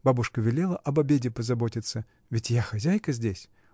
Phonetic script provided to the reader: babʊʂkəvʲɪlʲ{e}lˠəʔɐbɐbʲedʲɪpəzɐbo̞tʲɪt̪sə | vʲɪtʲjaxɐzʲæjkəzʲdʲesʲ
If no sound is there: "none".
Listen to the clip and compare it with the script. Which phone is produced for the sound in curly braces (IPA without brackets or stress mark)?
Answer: e